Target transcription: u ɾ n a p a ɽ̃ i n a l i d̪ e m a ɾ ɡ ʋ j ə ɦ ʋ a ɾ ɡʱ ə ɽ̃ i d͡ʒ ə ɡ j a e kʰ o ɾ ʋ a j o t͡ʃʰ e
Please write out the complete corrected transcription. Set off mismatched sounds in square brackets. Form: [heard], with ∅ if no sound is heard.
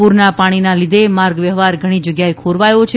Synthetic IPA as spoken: u ɾ n a p a ɽ̃ i n a l i d̪ e m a ɾ ɡ ʋ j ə ɦ ʋ a ɾ ɡʱ ə ɽ̃ i d͡ʒ ə ɡ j a e kʰ o ɾ ʋ a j o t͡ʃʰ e